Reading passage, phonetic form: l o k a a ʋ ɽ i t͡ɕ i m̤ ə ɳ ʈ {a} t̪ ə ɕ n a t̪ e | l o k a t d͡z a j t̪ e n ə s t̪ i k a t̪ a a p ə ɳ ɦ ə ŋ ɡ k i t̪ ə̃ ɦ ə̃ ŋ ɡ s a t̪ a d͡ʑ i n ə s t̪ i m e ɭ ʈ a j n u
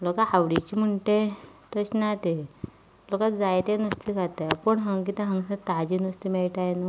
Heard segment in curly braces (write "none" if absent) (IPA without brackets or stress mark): e